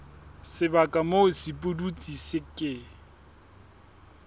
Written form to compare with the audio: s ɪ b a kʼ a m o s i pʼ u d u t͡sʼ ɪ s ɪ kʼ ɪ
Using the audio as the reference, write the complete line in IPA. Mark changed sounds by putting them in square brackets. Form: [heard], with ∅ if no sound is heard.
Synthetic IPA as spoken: s ɪ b a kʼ a m o s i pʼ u d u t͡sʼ [i] s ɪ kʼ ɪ